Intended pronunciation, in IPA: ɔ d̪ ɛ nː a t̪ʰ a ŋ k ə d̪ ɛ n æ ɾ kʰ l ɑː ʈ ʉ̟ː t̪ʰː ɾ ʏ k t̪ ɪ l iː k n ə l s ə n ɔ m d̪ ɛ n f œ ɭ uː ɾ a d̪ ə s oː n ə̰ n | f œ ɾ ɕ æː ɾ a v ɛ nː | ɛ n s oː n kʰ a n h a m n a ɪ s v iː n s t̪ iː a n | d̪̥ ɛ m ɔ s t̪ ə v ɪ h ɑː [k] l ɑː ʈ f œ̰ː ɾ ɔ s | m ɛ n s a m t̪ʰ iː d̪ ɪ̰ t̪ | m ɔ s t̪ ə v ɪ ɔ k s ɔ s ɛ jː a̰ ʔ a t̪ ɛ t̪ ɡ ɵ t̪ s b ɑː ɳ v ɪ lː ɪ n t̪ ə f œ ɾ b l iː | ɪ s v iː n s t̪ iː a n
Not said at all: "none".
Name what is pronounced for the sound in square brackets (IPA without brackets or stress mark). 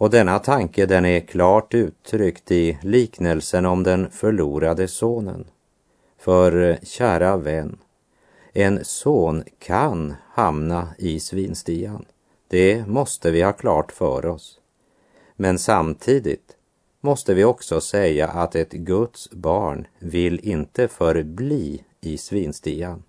kʰ